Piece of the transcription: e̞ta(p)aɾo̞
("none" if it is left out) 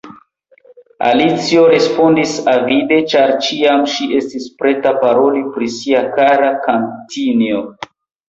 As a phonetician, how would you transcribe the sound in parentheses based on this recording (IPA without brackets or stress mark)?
p